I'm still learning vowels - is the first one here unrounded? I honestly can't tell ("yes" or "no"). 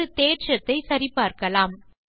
yes